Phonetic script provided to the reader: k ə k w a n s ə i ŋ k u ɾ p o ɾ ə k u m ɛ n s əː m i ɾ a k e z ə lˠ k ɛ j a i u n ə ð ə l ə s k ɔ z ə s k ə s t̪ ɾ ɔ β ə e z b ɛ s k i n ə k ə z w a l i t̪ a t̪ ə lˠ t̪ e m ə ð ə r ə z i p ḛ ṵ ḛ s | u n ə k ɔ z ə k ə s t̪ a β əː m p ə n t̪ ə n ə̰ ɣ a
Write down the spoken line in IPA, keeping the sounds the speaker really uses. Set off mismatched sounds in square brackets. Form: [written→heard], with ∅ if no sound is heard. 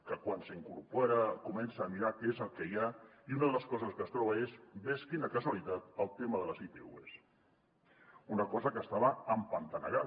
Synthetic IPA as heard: k ə k w a n s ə i ŋ k u ɾ p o ɾ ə k u m ɛ n s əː m i ɾ a k e z ə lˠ k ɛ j a i u n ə ð ə l ə s k ɔ z ə s k ə s t̪ ɾ ɔ β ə e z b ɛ s k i n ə k ə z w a l i t̪ a t̪ ə lˠ t̪ e m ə ð ə [r→l] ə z i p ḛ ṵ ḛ s | u n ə k ɔ z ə k ə s t̪ a β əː m p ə n t̪ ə n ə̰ ɣ a